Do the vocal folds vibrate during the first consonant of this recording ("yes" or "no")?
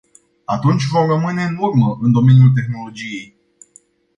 no